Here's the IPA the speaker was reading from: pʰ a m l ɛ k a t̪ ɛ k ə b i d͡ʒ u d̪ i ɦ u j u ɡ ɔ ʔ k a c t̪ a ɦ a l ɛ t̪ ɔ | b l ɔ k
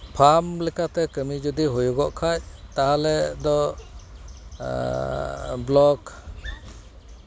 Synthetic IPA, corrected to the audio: pʰ a m l ɛ k a t̪ ɛ k ə m i d͡ʒ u d̪ i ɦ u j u ɡ ɔ ʔ kʰ a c t̪ a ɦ a l ɛ d̪ ɔ | b l ɔ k

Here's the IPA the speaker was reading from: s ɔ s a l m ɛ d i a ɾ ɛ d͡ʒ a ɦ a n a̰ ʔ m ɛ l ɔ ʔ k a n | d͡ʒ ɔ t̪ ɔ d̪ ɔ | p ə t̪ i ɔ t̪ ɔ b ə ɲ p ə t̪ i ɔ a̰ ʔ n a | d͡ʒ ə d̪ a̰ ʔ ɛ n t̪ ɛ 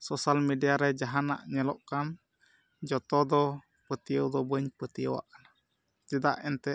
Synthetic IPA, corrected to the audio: s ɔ s a l m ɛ d i a ɾ ɛ d͡ʒ a ɦ a n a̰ ʔ ɲ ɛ l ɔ ʔ k a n | d͡ʒ ɔ t̪ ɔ d̪ ɔ | p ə t̪ i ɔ d̪ ɔ b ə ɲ p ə t̪ i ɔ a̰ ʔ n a | d͡ʒ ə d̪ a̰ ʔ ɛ n t̪ ɛ

